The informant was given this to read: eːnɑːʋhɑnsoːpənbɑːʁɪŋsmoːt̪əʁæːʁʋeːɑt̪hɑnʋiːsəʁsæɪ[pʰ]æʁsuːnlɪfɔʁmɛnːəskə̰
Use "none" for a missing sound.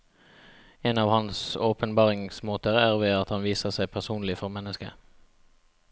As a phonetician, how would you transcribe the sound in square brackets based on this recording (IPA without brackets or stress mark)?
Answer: pʰ